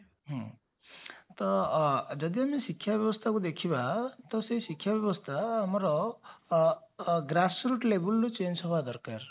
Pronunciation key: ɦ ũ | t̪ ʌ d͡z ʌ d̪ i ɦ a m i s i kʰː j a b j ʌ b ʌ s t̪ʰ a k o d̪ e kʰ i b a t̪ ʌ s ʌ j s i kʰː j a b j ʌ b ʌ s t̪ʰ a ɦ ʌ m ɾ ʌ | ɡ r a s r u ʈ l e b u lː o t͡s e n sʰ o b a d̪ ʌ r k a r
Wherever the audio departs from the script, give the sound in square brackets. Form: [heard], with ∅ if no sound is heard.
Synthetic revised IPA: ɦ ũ | t̪ ʌ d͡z ʌ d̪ i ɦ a m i s i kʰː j a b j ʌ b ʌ s t̪ʰ a k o d̪ e kʰ i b a t̪ ʌ s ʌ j s i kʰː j a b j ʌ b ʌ s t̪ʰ a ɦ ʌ m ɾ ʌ | ɡ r a s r u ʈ l e b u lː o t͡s e n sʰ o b a d̪ ʌ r k a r